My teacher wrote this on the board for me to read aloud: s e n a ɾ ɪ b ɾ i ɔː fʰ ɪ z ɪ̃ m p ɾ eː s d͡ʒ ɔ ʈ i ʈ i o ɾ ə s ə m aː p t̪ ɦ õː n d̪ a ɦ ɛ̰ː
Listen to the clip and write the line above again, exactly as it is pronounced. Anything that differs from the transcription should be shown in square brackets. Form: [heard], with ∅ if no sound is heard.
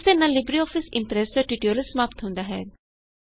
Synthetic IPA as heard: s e n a [l] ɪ b ɾ i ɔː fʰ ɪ [s] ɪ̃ m p ɾ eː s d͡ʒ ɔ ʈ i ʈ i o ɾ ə s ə m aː p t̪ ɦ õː n d̪ a ɦ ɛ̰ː